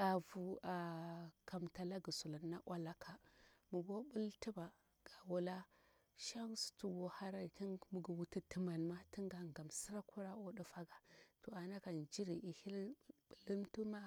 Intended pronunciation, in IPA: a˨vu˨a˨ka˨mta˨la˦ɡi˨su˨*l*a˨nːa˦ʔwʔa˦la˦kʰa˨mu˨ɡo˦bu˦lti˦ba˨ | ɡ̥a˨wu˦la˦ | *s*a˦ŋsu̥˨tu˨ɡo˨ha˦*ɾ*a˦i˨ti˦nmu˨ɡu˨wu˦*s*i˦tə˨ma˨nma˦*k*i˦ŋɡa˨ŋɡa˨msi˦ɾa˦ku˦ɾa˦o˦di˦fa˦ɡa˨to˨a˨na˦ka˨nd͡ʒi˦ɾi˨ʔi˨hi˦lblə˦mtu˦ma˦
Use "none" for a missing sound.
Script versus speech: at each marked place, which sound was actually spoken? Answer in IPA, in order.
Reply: l, ʃ, ɾ, t, t

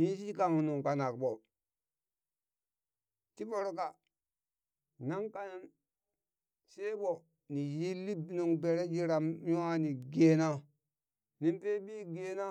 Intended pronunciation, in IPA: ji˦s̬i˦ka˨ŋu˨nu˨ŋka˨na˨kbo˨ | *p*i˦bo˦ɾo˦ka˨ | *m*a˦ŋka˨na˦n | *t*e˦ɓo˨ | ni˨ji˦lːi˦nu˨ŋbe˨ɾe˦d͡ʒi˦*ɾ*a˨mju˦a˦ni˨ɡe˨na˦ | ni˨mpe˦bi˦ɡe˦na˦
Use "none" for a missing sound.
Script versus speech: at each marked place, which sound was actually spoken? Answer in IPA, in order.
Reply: t, n, s, ɾ

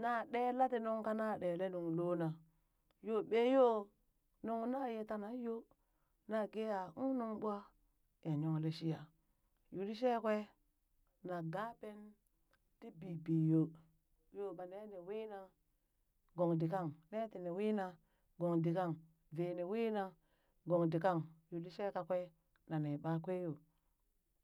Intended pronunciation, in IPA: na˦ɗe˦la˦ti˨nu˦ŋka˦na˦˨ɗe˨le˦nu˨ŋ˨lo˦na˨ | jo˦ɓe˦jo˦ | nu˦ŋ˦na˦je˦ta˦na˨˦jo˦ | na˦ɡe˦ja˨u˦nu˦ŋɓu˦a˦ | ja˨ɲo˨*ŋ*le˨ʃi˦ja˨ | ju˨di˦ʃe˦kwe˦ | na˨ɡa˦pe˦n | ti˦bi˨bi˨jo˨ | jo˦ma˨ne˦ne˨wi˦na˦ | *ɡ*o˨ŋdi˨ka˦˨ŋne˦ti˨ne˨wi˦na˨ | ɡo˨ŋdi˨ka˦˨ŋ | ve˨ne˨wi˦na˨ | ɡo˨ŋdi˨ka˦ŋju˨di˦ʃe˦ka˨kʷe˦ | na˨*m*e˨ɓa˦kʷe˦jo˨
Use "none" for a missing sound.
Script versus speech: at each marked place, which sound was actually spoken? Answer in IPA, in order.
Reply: ŋ, ɡ, n

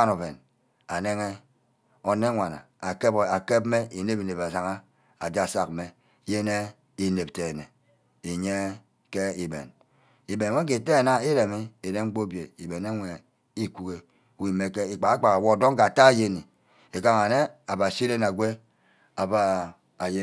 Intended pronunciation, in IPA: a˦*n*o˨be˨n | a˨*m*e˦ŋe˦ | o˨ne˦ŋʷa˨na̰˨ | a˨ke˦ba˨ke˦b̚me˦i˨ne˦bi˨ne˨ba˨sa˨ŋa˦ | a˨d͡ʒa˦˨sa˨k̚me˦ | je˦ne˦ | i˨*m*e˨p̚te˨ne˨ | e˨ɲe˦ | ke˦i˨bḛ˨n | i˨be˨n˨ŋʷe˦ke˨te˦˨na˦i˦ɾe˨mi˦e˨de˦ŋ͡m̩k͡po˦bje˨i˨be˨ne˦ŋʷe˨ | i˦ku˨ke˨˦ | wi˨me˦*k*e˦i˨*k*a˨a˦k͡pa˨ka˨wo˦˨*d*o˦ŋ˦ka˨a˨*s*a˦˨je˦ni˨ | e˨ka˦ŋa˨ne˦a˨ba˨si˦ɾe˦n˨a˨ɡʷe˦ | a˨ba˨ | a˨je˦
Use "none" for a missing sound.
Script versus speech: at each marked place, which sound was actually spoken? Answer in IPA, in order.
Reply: n, n, n, k, k͡p, d, t

